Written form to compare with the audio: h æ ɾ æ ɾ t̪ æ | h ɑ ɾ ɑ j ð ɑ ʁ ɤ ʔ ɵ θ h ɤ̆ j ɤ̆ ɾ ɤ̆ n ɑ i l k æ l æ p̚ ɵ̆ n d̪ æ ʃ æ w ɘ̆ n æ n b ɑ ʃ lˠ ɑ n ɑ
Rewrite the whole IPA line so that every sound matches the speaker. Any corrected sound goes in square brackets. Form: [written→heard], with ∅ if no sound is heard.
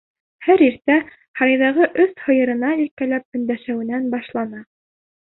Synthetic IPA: h æ ɾ [æ→i] ɾ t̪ æ | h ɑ ɾ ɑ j ð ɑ ʁ ɤ ʔ ɵ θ h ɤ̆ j ɤ̆ ɾ ɤ̆ n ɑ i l k æ l æ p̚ ɵ̆ n d̪ æ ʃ æ w ɘ̆ n æ n b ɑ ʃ lˠ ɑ n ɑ

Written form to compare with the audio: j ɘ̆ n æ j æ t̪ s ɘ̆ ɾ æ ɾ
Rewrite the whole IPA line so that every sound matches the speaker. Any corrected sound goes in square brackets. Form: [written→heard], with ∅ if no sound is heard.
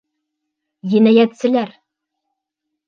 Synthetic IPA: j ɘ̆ n æ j æ t̪ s ɘ̆ [ɾ→l] æ ɾ

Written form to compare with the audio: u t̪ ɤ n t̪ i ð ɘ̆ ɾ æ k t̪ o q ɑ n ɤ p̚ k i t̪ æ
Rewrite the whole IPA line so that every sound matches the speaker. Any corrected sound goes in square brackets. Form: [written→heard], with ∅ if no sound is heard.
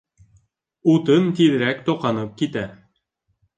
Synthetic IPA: u t̪ ɤ n t̪ i ð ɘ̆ ɾ æ k t̪ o q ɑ n ɤ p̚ k i t̪ æ

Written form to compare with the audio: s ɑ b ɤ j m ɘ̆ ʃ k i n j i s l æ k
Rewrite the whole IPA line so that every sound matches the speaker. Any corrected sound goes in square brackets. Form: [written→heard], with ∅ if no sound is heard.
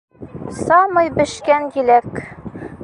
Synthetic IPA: s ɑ [b→m] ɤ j [m→b] ɘ̆ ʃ k [i→æ] n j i [s→∅] l æ k

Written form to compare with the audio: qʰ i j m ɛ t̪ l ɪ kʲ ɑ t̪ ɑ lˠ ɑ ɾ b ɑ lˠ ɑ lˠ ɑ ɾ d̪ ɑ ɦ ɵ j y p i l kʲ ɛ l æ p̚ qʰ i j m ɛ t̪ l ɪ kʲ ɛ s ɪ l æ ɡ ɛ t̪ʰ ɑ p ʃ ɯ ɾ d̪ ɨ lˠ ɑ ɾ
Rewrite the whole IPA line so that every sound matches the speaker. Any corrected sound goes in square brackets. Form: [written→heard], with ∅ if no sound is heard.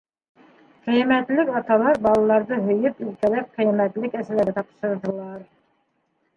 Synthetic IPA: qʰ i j m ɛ t̪ l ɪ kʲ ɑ t̪ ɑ lˠ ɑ ɾ b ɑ lˠ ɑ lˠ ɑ ɾ d̪ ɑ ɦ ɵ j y p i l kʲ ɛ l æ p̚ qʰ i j m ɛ t̪ l ɪ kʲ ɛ s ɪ l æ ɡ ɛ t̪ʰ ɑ p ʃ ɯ ɾ d̪ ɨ lˠ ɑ ɾ

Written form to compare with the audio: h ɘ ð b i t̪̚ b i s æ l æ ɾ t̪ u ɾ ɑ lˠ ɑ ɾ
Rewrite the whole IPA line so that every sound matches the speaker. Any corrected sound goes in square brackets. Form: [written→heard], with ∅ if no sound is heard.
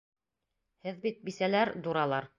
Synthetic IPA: h ɘ ð b i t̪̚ b i s æ l æ ɾ [t̪→d̪] u ɾ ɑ lˠ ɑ ɾ

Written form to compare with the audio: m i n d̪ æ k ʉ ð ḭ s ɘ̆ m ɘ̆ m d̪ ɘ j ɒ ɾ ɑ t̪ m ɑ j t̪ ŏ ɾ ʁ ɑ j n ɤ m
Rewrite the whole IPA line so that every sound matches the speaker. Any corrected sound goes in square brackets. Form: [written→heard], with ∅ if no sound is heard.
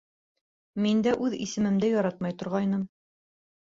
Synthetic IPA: m i n d̪ æ [k→ʔ] ʉ ð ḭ s ɘ̆ m ɘ̆ m d̪ ɘ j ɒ ɾ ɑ t̪ m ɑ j t̪ ŏ ɾ ʁ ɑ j n ɤ m

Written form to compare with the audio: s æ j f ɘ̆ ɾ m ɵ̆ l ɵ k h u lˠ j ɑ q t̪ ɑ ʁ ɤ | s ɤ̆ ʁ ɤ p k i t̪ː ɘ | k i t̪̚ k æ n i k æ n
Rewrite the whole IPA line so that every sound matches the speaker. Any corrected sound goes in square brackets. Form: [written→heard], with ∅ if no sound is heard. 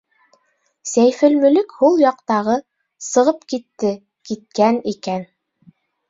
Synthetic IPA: s æ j f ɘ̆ [ɾ→l] m ɵ̆ l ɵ k h u lˠ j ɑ q t̪ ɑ ʁ ɤ | s ɤ̆ ʁ ɤ p k i t̪ː ɘ | k i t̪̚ k æ n i k æ n

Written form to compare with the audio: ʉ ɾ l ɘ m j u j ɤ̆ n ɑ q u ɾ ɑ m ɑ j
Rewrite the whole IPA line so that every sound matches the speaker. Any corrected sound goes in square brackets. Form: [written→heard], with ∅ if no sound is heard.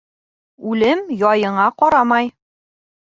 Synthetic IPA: ʉ [ɾ→∅] l ɘ m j [u→ɒ] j ɤ̆ [n→ɴ] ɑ q [u→ɒ] ɾ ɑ m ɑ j

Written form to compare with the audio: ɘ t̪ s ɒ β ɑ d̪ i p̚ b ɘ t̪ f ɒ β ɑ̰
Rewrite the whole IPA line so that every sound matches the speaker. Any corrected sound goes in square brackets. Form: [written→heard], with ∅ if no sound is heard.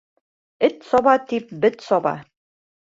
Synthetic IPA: ɘ t̪ s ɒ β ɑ [d̪→t̪] i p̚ b ɘ t̪ [f→s] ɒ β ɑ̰

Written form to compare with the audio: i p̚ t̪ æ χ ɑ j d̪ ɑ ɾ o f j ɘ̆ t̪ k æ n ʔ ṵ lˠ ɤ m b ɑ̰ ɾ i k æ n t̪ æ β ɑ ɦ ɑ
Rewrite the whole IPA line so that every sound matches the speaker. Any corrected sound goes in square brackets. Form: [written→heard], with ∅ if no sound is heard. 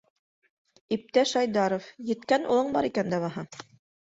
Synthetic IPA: i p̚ t̪ æ [χ→ʃ] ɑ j d̪ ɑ ɾ o f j ɘ̆ t̪ k æ n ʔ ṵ lˠ ɤ [m→ɴ] b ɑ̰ ɾ i k æ n [t̪→d̪] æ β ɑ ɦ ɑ

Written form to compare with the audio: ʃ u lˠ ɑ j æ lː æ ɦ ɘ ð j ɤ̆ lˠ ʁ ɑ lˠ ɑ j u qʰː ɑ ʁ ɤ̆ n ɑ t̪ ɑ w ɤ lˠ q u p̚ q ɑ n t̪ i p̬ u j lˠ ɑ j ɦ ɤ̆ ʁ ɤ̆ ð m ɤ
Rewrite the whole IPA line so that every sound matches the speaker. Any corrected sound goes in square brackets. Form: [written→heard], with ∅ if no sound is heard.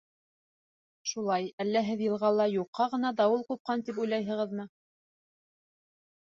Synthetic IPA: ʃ u lˠ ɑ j æ lː æ ɦ ɘ ð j ɤ̆ lˠ ʁ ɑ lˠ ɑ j u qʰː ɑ ʁ ɤ̆ n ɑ [t̪→d̪] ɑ w ɤ lˠ q u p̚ q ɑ n t̪ i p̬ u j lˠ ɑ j ɦ ɤ̆ ʁ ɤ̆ ð m ɤ

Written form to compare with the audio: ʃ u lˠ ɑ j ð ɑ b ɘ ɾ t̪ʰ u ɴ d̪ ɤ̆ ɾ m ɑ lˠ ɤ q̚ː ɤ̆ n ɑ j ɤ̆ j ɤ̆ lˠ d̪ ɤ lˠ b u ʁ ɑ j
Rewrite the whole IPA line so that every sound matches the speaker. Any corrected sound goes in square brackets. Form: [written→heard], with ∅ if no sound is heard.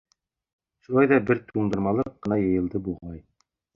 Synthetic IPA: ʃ u lˠ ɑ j ð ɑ b ɘ ɾ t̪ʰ u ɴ d̪ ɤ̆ ɾ m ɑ lˠ ɤ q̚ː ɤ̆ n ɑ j ɤ̆ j ɤ̆ lˠ d̪ ɤ [lˠ→∅] b u ʁ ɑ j

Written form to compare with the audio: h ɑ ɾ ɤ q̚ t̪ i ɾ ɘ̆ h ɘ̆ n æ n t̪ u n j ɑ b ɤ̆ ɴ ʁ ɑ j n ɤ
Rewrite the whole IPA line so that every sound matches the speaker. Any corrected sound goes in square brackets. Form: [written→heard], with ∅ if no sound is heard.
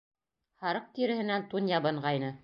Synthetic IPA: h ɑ ɾ ɤ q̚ t̪ i ɾ ɘ̆ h ɘ̆ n æ n t̪ u n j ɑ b ɤ̆ ɴ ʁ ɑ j n ɤ

